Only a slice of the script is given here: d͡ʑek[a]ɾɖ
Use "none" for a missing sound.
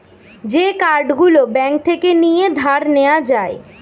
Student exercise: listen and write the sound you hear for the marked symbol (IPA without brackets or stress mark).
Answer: a